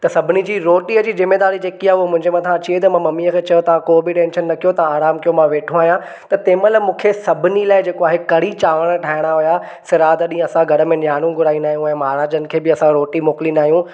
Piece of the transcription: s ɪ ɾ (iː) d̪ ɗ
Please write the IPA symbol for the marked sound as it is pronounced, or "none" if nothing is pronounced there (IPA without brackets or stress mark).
aː